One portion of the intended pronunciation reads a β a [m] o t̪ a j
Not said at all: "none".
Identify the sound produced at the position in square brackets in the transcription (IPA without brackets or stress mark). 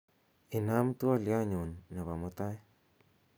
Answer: m